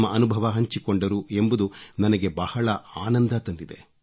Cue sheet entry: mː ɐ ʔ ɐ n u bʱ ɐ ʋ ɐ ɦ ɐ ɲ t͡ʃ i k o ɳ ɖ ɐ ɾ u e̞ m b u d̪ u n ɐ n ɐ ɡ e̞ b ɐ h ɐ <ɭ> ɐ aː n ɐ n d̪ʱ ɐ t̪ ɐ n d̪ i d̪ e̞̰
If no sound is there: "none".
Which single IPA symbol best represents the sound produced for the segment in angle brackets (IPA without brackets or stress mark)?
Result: ɭ